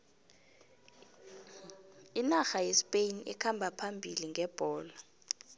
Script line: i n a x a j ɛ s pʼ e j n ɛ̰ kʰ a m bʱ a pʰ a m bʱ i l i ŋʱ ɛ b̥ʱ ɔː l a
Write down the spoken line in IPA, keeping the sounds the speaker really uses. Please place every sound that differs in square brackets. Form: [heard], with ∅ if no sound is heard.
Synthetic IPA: i n a x a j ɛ s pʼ e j n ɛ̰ kʰ a m bʱ a pʰ a m bʱ i l i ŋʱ ɛ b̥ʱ ɔː l a